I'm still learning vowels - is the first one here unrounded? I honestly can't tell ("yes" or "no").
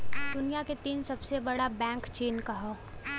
no